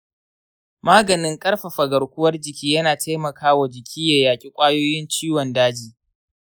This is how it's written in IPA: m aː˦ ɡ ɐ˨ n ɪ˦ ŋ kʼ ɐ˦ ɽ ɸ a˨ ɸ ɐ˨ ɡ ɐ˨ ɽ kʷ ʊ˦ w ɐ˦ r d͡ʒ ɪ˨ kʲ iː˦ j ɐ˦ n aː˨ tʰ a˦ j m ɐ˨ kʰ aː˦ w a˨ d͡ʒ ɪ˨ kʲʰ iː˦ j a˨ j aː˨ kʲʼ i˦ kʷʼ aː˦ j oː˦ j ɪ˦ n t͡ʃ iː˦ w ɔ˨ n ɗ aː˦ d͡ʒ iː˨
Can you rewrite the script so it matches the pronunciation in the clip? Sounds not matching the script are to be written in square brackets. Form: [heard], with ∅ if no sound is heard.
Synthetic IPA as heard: m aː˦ ɡ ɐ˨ n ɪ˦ ŋ kʼ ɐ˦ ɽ ɸ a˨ ɸ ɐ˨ ɡ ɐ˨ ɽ kʷ ʊ˦ w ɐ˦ r d͡ʒ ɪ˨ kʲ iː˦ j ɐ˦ n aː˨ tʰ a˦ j m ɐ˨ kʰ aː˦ w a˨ d͡ʒ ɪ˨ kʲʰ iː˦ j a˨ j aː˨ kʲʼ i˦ kʷʼ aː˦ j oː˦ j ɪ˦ n t͡ʃ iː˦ w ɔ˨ n [d] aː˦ d͡ʒ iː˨